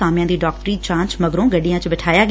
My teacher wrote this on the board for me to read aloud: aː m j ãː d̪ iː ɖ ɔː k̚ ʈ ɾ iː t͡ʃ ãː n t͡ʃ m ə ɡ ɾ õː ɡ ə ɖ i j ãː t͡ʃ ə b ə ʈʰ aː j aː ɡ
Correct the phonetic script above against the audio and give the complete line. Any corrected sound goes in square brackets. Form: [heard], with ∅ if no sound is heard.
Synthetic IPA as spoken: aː m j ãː d̪ iː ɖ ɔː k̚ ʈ ɾ iː t͡ʃ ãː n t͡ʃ m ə ɡ ɾ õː ɡ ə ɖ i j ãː t͡ʃ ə b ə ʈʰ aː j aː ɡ